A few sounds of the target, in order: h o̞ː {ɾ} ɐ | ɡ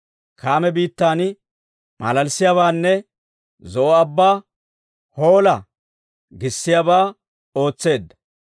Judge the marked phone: incorrect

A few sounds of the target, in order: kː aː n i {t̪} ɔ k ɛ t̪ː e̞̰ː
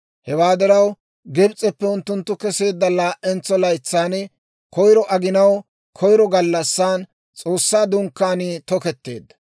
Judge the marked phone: correct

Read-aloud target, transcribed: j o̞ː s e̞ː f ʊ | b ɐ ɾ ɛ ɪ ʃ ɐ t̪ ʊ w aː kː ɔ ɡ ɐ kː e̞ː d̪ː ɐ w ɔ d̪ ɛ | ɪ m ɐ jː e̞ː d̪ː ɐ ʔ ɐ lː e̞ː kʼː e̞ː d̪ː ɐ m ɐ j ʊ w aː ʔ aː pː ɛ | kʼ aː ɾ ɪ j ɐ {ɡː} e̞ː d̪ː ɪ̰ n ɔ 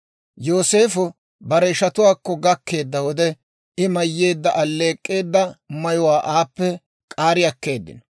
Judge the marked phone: incorrect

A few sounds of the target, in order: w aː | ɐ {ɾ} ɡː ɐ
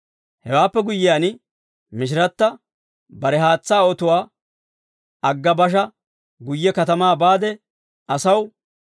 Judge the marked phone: incorrect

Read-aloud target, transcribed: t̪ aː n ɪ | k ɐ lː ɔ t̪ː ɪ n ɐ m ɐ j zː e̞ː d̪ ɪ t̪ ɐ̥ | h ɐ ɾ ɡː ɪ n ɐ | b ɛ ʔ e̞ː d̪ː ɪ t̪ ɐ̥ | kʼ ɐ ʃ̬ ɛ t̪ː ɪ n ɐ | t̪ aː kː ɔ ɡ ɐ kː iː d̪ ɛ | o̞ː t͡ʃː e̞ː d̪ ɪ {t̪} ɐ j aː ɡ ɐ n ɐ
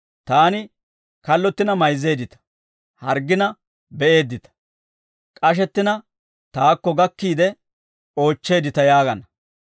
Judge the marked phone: correct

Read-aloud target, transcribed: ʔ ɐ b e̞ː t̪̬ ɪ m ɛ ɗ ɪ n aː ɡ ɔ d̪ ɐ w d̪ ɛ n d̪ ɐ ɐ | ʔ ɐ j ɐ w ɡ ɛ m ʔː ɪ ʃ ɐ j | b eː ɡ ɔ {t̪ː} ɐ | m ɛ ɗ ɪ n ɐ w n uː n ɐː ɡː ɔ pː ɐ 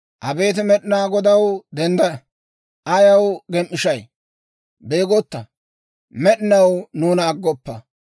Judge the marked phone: correct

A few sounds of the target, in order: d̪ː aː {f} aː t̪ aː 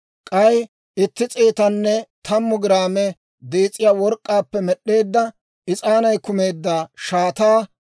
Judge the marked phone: incorrect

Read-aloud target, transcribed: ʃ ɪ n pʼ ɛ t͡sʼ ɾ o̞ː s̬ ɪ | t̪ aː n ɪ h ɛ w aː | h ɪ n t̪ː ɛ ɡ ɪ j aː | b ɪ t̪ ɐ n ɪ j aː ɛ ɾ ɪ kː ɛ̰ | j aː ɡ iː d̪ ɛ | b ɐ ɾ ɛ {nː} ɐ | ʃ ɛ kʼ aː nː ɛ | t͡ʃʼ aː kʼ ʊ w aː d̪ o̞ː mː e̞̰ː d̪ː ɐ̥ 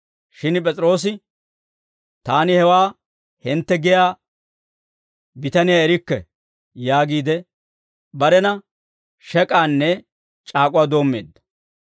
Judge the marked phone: incorrect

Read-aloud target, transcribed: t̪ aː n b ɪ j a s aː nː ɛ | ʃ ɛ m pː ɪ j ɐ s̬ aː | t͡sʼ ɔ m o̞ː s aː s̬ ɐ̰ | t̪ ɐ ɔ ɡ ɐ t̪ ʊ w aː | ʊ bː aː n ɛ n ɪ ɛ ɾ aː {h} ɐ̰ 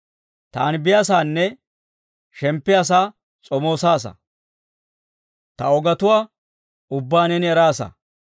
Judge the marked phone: incorrect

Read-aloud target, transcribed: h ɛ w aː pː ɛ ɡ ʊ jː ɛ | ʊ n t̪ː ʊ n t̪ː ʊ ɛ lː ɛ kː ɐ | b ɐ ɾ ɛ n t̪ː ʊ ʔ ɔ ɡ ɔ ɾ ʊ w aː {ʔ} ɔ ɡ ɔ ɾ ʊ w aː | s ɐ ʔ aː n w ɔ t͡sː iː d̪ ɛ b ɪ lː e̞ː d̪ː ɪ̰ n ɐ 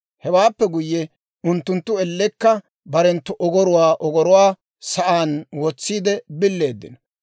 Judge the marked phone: correct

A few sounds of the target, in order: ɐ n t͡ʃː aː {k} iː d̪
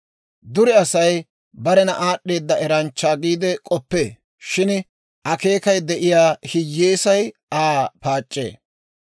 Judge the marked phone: incorrect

